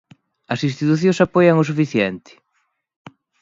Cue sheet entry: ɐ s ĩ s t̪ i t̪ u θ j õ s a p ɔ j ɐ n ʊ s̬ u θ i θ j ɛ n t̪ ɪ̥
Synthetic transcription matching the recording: ɐ s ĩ s t̪ i t̪ u θ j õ s a p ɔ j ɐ ŋ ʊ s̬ u f i θ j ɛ n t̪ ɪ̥